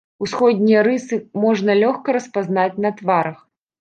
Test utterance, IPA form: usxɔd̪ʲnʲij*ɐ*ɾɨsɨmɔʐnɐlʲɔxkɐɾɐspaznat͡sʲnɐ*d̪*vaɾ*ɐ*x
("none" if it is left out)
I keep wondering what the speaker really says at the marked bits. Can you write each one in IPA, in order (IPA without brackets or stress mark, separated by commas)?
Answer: ɐ, t̪, ɐ